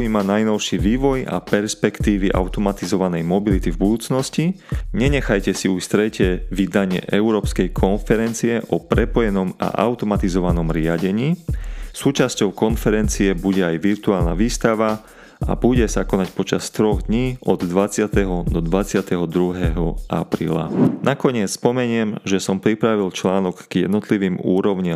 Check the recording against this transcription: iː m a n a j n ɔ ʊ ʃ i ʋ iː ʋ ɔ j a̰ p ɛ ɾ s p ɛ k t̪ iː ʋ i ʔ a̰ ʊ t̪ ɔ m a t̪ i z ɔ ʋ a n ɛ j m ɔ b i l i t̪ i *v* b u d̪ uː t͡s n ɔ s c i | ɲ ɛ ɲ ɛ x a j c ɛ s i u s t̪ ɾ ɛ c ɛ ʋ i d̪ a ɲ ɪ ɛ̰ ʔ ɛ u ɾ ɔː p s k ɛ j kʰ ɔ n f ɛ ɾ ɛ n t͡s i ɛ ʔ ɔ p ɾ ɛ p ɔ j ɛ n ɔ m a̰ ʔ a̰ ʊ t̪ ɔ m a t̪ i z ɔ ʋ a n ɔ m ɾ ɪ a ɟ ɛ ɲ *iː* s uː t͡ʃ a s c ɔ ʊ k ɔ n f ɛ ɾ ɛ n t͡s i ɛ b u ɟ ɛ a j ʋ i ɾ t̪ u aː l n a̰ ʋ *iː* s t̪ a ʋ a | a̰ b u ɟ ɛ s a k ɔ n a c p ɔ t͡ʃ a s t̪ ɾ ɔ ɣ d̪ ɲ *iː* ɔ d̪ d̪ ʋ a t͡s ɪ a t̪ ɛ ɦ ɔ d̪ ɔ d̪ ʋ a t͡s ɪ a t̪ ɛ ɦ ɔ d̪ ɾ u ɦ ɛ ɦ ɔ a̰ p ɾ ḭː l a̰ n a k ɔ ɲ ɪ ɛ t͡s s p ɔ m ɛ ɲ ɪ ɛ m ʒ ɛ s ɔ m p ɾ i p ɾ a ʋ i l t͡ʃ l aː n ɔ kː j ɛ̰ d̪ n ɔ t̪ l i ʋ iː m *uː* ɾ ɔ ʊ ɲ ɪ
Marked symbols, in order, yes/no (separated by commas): yes, yes, yes, yes, yes